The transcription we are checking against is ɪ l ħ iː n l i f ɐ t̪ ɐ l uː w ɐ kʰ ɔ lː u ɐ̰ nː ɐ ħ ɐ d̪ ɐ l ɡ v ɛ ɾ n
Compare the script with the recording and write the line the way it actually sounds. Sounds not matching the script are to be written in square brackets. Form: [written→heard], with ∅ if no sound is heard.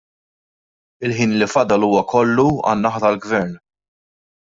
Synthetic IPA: ɪ l ħ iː n l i f ɐ [t̪→d̪] ɐ l uː w ɐ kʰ ɔ lː u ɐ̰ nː ɐ ħ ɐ [d̪→t̪] ɐ l ɡ v ɛ ɾ n